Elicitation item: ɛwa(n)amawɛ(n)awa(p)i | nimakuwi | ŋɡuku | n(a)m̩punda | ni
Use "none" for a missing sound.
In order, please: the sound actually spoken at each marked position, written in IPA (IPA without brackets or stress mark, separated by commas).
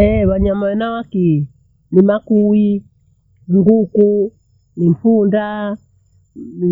ɲ, n, k, i